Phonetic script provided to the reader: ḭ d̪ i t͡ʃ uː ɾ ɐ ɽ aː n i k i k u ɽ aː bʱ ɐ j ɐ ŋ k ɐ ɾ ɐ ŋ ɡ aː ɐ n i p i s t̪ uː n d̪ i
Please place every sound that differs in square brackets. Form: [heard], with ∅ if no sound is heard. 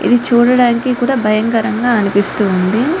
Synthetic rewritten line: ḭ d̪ i t͡ʃ uː [ɽ] ɐ ɽ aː n i k i k [uː] ɽ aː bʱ ɐ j ɐ ŋ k ɐ ɾ ɐ ŋ ɡ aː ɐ n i p i s t̪ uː n d̪ i

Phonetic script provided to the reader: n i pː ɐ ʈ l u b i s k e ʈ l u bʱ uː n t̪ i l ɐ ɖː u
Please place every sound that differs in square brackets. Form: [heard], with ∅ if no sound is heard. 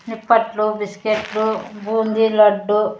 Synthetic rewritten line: n i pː ɐ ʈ l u b i s k e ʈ l u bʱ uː n [d̪] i l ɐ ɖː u

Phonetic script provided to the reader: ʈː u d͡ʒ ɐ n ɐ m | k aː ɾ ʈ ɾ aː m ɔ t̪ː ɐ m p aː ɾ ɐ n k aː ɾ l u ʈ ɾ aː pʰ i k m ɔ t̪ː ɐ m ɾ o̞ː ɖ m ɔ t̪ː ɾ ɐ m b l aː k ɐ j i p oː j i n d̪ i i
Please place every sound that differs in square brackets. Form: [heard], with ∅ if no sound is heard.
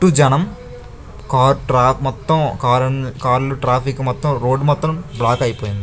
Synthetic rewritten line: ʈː u d͡ʒ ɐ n ɐ m | k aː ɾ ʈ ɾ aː m ɔ t̪ː ɐ m [k] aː ɾ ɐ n k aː ɾ l u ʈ ɾ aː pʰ i k m ɔ t̪ː ɐ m ɾ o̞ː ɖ m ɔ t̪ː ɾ ɐ m b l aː k ɐ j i p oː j i n d̪ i i

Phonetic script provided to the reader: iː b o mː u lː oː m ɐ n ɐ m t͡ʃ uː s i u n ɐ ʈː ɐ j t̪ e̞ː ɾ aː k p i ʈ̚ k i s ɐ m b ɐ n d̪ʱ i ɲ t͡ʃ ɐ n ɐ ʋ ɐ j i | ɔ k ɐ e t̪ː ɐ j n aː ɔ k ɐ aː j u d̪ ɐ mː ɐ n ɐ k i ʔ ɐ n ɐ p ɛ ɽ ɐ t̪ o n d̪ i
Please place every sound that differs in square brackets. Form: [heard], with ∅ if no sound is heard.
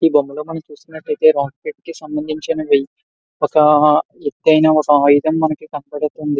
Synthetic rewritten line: iː b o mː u [l] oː m ɐ n ɐ m t͡ʃ uː s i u n ɐ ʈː ɐ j t̪ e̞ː ɾ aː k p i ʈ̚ k i s ɐ m b ɐ n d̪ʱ i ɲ t͡ʃ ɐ n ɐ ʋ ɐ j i | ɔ k ɐ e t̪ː ɐ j n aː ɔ k ɐ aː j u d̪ ɐ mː ɐ n ɐ k i [k] ɐ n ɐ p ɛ ɽ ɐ t̪ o n d̪ i

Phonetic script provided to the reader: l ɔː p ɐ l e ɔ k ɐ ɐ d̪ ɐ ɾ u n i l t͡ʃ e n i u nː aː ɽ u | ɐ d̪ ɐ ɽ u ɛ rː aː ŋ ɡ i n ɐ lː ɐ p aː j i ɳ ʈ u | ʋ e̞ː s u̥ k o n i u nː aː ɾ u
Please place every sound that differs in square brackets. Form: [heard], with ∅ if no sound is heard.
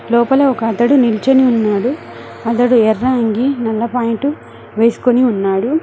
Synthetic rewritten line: l ɔː p ɐ l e ɔ k ɐ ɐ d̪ ɐ [ɽ] u n i l t͡ʃ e n i u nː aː ɽ u | ɐ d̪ ɐ ɽ u ɛ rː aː ŋ ɡ i n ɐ lː ɐ p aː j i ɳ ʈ u | ʋ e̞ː s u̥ k o n i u nː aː [ɽ] u

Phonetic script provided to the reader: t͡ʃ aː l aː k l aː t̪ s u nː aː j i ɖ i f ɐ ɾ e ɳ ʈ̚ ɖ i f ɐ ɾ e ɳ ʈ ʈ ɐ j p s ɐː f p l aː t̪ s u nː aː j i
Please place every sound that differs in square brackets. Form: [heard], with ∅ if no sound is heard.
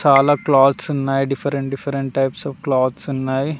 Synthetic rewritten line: t͡ʃ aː l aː k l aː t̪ s u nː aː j i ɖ i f ɐ ɾ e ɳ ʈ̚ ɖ i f ɐ ɾ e ɳ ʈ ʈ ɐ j p s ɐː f [k] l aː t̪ s u nː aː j i

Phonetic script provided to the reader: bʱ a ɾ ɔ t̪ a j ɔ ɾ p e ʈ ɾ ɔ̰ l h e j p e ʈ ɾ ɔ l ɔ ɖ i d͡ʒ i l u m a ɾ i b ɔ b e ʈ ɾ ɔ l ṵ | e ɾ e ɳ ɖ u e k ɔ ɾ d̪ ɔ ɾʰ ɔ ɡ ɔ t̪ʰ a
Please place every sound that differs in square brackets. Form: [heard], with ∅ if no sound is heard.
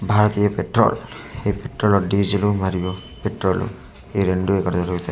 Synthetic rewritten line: bʱ a ɾ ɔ t̪ [i] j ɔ [∅] p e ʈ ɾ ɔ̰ l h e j p e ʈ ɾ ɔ l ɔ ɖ i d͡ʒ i l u m a ɾ i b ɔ [p] e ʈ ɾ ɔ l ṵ | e ɾ e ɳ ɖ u e k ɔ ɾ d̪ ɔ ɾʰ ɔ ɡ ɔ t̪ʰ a

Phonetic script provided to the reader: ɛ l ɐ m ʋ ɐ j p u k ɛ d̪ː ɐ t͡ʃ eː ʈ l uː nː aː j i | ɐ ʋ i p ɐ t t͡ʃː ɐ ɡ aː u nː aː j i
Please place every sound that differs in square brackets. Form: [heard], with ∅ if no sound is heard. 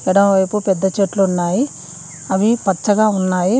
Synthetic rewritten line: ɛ [ɽ] ɐ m ʋ ɐ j p u [p] ɛ d̪ː ɐ t͡ʃ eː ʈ l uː nː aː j i | ɐ ʋ i p ɐ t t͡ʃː ɐ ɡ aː u nː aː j i

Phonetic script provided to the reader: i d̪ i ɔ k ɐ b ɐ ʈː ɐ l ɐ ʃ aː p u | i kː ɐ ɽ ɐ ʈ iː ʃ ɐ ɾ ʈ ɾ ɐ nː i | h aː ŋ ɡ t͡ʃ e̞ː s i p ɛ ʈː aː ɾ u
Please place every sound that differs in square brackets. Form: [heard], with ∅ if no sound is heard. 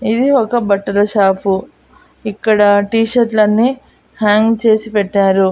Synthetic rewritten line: i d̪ i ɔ k ɐ b ɐ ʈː ɐ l ɐ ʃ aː p u | i kː ɐ ɽ ɐ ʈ iː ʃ ɐ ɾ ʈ [l] ɐ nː i | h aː ŋ ɡ t͡ʃ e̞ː s i p ɛ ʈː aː ɾ u

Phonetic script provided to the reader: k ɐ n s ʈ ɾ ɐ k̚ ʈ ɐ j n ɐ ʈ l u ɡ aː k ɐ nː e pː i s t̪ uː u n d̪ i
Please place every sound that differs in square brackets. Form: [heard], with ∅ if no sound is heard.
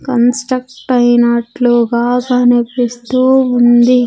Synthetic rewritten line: k ɐ n s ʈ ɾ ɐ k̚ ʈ ɐ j n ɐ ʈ l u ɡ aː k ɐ [n] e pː i s t̪ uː u n d̪ i

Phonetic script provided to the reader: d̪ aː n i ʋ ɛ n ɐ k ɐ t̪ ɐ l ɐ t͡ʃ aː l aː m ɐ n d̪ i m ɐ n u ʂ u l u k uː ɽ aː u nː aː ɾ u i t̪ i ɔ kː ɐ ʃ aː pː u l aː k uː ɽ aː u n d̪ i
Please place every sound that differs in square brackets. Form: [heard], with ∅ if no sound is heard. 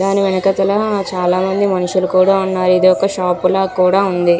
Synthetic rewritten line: d̪ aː n i ʋ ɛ n ɐ k ɐ t̪ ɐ l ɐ t͡ʃ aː l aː m ɐ n d̪ i m ɐ n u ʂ u l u k uː ɽ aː u nː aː ɾ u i [d̪] i ɔ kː ɐ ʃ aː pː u l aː k uː ɽ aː u n d̪ i

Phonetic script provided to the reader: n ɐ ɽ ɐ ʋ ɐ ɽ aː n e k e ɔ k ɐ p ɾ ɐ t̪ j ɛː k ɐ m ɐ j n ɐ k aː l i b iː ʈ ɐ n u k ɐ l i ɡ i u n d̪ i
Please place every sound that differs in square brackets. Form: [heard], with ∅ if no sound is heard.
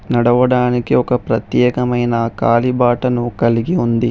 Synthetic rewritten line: n ɐ ɽ ɐ ʋ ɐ ɽ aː n [i] k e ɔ k ɐ p ɾ ɐ t̪ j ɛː k ɐ m ɐ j n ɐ k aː l i b [aː] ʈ ɐ n u k ɐ l i ɡ i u n d̪ i

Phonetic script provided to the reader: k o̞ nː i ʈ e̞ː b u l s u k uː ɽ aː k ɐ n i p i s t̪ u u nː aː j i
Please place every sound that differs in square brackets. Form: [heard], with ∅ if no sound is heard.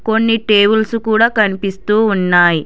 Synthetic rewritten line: k o̞ nː i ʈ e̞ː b u l s u k uː ɽ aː k ɐ n i p i s t̪ [uː] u nː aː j i

